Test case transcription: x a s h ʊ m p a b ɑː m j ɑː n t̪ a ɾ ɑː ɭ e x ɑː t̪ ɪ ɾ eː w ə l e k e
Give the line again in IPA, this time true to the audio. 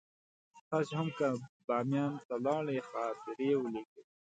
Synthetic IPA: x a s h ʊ m k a b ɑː m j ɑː n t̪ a l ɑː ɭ e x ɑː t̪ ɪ ɾ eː w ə l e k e